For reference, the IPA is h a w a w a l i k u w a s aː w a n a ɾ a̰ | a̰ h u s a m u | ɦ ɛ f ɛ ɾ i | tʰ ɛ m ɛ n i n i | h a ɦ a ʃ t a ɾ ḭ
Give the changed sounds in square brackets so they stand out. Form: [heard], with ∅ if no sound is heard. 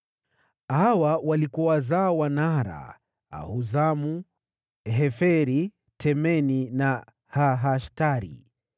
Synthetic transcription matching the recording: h a w a w a l i k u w a [z] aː w a n a ɾ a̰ | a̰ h u [z] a m u | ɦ ɛ f ɛ ɾ i | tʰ ɛ m ɛ n i n [a] | h a ɦ a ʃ t a ɾ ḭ